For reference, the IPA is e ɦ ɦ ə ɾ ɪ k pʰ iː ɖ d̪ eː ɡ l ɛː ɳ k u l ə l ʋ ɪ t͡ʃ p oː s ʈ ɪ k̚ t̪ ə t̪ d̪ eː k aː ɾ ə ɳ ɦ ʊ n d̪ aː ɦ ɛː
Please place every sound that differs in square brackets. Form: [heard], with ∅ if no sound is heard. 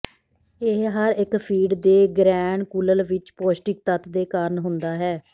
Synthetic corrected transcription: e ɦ ɦ ə ɾ ɪ k pʰ iː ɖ d̪ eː ɡ [ɾ] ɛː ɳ k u l ə l ʋ ɪ t͡ʃ p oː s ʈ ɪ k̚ t̪ ə t̪ d̪ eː k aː ɾ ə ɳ ɦ ʊ n d̪ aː ɦ ɛː